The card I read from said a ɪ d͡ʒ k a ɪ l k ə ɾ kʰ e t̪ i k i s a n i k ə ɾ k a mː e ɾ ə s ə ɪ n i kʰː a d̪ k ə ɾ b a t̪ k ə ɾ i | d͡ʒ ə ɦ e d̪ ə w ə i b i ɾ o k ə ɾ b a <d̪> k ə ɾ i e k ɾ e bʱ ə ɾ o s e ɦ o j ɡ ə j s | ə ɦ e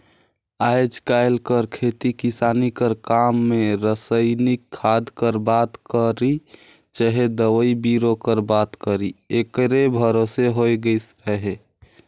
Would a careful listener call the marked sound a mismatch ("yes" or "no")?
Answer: yes